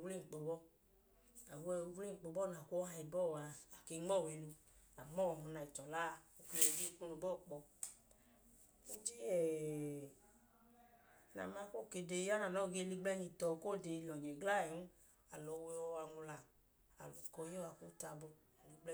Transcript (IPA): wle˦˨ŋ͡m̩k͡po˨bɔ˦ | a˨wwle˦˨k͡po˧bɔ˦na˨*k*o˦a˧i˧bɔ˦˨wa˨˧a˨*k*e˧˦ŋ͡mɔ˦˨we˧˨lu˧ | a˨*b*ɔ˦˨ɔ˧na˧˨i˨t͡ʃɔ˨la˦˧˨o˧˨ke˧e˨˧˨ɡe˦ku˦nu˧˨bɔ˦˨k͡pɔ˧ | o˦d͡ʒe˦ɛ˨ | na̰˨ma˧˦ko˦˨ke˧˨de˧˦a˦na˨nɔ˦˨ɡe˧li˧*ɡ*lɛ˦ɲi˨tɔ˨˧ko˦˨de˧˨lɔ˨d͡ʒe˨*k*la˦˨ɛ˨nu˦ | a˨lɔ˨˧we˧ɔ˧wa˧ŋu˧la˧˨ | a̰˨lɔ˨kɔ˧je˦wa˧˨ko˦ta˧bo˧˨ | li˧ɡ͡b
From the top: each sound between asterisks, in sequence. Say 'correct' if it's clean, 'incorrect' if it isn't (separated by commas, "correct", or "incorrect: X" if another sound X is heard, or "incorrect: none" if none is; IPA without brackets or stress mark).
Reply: correct, correct, incorrect: m, incorrect: ɡ͡b, incorrect: ɡ